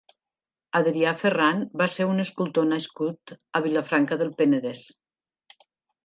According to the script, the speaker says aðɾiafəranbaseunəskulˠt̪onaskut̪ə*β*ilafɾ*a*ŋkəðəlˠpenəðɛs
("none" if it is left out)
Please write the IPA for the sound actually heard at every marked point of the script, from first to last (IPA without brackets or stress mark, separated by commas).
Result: β, a